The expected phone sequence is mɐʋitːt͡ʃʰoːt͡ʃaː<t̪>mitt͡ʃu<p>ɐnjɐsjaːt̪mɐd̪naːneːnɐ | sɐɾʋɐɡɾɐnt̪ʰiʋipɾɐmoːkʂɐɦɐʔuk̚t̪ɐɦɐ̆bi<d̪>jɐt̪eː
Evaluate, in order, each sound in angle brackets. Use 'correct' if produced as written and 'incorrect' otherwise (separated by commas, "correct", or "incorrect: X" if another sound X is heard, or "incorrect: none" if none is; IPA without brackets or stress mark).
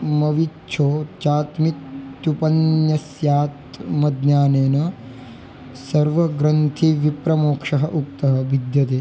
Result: correct, correct, correct